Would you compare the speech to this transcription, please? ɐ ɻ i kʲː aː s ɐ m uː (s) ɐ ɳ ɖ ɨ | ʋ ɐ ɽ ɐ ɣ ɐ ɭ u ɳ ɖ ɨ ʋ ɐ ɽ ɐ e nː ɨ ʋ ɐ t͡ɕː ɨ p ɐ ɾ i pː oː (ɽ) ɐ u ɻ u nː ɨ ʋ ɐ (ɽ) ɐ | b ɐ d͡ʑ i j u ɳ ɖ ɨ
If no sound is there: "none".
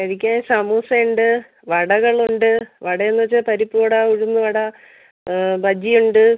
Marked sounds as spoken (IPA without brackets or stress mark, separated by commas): s, ɽ, ɽ